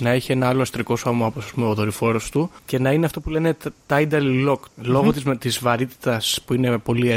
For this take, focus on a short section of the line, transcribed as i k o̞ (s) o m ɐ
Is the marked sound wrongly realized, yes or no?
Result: no